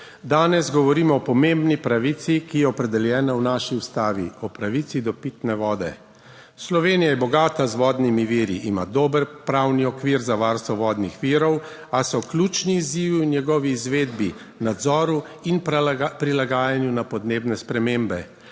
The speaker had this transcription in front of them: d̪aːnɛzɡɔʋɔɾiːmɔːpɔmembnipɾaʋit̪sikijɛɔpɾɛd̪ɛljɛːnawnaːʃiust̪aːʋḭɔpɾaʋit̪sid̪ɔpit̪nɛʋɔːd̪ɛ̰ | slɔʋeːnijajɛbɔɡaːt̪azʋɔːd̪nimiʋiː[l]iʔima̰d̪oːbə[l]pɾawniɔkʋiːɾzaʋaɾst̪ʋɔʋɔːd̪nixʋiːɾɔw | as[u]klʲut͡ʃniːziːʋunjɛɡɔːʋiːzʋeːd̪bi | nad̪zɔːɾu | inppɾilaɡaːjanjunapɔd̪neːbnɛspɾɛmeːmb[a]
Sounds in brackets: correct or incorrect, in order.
incorrect: ɾ, incorrect: ɾ, incorrect: ɔ, incorrect: ɛ

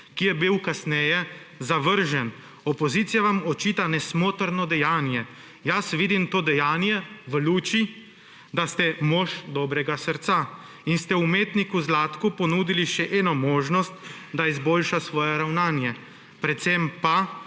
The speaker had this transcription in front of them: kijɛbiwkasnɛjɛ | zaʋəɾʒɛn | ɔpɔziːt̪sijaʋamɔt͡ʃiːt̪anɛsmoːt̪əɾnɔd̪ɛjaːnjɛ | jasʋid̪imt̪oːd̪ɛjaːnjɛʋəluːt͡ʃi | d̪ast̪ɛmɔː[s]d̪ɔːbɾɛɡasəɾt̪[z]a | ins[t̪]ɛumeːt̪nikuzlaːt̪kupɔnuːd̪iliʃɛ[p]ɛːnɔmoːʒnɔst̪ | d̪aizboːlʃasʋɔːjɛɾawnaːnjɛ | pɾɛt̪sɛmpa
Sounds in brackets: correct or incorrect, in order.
incorrect: ʃ, incorrect: s, correct, incorrect: ʔ

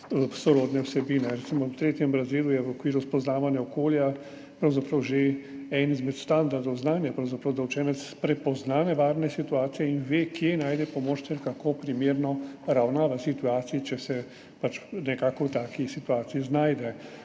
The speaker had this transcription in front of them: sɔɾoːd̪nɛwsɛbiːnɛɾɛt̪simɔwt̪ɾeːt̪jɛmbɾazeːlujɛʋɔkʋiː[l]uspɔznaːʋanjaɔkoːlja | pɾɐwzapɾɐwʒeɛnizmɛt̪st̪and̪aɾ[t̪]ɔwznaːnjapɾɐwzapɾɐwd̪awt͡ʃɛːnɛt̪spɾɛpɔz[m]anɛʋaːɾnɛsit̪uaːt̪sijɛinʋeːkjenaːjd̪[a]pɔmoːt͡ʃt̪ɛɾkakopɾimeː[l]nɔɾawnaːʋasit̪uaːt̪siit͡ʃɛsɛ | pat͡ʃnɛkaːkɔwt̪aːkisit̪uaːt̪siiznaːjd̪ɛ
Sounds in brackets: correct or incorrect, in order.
incorrect: ɾ, incorrect: d̪, incorrect: n, incorrect: ɛ, incorrect: ɾ

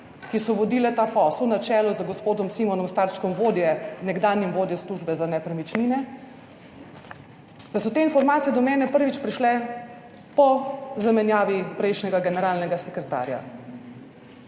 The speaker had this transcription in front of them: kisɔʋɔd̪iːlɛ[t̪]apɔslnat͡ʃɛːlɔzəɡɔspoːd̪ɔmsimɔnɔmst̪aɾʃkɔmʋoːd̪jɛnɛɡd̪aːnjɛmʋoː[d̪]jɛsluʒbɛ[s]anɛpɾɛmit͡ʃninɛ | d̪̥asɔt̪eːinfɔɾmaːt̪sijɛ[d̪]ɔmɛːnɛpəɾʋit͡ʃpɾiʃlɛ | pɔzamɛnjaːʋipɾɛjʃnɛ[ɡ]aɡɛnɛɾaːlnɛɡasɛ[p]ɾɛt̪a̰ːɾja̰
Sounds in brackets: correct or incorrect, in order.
correct, correct, incorrect: z, correct, correct, incorrect: k

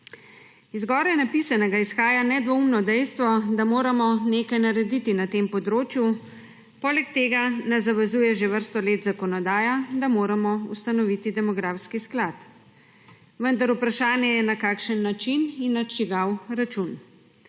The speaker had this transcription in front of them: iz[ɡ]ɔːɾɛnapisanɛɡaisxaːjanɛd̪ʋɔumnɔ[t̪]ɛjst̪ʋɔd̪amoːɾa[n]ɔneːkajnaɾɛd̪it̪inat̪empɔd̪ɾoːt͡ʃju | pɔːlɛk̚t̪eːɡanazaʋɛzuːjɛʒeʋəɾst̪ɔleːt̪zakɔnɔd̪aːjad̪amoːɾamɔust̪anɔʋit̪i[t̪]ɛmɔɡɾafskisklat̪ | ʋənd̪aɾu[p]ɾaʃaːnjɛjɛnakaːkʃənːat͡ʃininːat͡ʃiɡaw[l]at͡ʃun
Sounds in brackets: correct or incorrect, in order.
correct, incorrect: d̪, incorrect: m, incorrect: d̪, correct, incorrect: ɾ

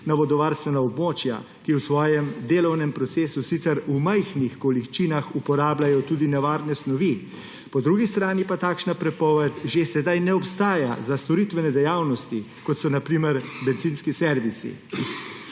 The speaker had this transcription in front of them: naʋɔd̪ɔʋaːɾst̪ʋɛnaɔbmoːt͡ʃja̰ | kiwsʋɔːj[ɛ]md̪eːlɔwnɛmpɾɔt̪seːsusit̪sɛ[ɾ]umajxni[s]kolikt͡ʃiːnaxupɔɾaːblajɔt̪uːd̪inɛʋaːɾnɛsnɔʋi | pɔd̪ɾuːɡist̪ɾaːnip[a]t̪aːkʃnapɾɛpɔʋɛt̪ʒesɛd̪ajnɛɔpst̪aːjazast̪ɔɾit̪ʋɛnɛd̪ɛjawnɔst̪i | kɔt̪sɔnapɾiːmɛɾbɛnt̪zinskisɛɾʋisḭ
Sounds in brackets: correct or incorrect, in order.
correct, correct, incorrect: x, correct

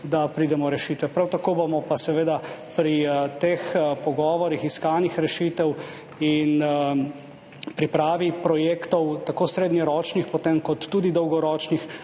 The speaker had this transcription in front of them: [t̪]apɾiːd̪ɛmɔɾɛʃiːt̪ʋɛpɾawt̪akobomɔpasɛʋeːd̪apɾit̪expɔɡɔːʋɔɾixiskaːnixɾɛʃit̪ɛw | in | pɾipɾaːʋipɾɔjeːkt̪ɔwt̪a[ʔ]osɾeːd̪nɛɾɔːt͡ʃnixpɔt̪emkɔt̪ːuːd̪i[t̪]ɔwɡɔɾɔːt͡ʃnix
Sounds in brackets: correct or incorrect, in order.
incorrect: d̪, incorrect: k, incorrect: d̪

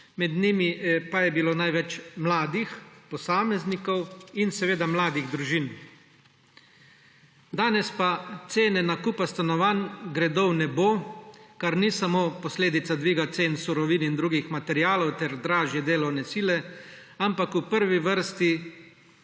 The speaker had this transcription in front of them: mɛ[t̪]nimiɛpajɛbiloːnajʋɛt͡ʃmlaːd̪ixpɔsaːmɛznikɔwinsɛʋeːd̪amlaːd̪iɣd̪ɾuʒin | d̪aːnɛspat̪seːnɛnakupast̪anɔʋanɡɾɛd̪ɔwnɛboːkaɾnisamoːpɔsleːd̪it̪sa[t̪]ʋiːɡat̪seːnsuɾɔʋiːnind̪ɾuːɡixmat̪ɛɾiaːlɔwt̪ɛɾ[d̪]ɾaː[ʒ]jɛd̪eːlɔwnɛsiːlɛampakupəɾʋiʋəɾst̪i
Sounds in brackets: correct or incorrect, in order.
incorrect: d̪, incorrect: d̪, correct, correct

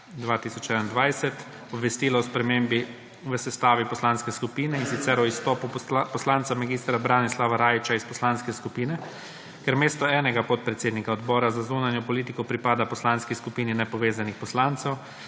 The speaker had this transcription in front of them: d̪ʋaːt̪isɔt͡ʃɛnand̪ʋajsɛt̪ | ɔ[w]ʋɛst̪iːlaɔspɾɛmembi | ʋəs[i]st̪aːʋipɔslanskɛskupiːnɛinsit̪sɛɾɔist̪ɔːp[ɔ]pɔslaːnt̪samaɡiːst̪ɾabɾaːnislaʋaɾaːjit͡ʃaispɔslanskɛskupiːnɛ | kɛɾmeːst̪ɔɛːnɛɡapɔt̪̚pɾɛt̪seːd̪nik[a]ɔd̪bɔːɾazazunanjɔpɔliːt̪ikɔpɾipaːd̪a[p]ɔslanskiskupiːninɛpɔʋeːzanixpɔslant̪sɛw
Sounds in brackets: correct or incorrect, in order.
incorrect: b, incorrect: ɛ, incorrect: u, correct, correct

